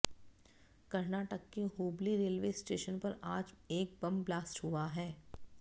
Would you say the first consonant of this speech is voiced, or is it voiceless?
voiceless